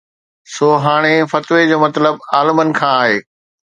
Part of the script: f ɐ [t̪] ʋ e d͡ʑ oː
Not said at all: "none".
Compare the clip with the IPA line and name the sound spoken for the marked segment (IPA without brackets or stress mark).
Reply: t̪